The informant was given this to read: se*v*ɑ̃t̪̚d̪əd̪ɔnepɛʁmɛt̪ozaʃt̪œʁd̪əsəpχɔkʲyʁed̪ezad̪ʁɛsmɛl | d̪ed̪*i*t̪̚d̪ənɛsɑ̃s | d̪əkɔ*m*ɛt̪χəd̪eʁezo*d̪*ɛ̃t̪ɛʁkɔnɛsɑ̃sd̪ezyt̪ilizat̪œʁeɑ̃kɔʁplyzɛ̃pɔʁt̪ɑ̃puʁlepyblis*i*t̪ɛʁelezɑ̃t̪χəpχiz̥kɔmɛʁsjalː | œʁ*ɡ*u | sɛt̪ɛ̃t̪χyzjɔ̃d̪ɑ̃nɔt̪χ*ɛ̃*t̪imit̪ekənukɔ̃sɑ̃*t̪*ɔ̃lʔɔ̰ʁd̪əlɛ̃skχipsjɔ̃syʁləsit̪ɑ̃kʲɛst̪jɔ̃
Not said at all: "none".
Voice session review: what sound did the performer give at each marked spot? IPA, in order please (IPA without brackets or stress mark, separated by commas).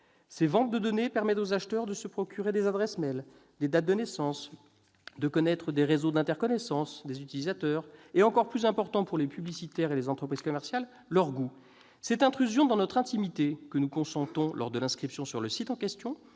v, a, n, d̪, i, ɡ, ɛ̃, t̪